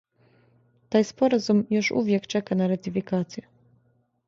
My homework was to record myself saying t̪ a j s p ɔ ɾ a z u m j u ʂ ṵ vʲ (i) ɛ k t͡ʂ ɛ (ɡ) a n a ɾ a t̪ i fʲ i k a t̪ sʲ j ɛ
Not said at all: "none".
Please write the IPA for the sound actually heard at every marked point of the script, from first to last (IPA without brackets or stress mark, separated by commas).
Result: j, k